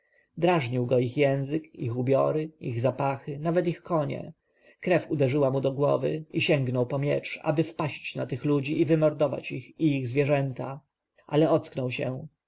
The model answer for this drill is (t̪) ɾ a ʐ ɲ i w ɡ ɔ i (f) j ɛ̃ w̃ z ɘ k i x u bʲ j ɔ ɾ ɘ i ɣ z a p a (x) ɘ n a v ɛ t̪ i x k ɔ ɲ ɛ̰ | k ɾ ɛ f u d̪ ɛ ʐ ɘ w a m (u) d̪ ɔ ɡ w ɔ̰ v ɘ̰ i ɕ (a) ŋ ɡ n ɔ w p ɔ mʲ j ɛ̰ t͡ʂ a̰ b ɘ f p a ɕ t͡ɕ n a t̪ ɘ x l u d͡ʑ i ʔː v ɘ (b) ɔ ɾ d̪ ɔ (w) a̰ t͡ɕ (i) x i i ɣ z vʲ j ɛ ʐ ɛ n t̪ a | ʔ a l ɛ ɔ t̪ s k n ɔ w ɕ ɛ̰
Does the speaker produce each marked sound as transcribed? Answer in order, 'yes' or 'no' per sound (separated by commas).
no, no, yes, yes, no, no, no, yes